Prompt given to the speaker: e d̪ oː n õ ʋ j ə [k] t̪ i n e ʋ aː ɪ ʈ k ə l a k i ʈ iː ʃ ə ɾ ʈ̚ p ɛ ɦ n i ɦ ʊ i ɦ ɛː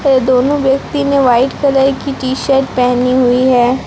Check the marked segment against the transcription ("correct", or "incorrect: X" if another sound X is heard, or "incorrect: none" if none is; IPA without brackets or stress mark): correct